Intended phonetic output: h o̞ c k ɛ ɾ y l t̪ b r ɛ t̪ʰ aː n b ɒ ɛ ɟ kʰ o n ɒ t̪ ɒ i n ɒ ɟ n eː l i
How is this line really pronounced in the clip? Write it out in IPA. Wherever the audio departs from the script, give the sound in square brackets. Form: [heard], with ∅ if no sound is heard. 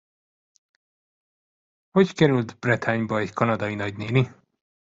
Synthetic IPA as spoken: h o̞ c k ɛ ɾ y l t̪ b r ɛ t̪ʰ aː [ɲ] b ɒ ɛ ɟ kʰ [ɒ] n ɒ [d̪] ɒ i n ɒ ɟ n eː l i